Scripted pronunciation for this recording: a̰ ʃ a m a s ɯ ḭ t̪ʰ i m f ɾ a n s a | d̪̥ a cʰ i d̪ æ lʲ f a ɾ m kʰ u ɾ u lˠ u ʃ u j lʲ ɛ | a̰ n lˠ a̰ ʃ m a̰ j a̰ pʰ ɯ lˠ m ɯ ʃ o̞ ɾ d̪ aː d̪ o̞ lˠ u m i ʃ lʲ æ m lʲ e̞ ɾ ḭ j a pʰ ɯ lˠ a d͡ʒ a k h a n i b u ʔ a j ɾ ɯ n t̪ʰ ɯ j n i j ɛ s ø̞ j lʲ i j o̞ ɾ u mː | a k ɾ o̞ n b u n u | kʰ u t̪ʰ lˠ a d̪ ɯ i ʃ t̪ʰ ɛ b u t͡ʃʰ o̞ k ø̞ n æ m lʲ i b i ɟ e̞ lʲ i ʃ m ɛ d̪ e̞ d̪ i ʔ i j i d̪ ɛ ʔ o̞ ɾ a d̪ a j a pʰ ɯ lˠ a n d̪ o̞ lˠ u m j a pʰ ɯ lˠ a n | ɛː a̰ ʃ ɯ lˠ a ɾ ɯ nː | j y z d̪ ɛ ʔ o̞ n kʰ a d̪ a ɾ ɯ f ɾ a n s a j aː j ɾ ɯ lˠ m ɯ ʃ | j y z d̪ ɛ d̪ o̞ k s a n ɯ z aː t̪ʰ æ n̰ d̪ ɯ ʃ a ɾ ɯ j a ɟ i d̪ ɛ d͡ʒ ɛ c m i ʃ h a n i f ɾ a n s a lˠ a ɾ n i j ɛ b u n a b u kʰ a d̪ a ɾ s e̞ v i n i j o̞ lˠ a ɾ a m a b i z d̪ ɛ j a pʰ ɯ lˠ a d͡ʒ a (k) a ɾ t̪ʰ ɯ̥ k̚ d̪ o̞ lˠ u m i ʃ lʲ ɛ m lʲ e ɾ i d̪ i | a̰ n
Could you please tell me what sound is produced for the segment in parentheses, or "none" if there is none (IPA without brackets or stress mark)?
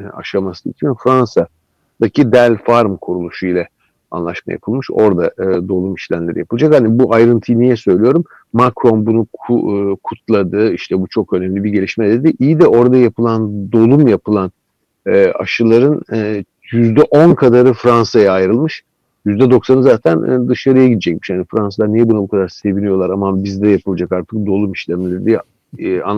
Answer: k